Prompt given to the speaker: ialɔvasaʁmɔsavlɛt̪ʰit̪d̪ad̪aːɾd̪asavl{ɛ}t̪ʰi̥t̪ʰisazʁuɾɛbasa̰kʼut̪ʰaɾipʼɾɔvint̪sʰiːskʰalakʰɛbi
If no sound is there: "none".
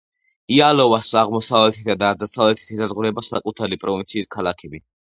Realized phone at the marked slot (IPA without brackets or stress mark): ɛ